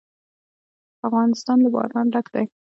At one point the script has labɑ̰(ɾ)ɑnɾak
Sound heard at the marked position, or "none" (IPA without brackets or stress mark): ɾ